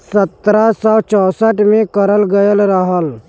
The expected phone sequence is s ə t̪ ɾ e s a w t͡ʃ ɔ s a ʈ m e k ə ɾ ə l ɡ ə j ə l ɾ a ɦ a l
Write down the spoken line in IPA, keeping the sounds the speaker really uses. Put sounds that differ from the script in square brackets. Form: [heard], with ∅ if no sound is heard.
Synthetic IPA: s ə t̪ ɾ [a] s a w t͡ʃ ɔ s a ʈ m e k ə ɾ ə l ɡ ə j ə l ɾ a ɦ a l